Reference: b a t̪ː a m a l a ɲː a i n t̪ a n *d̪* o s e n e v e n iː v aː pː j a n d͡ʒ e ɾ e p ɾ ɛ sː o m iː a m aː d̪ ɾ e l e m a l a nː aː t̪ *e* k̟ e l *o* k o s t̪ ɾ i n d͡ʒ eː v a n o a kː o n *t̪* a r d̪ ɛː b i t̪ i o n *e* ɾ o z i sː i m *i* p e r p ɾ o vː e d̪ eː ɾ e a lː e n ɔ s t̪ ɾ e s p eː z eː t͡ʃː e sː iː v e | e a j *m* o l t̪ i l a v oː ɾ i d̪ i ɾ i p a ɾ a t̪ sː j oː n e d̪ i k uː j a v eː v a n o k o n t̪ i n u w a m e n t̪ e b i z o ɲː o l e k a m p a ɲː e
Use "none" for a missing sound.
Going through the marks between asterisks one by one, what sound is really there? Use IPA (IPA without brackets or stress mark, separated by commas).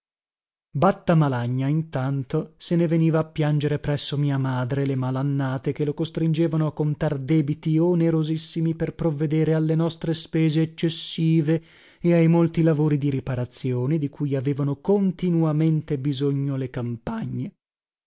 t̪, e, o, t̪, e, i, m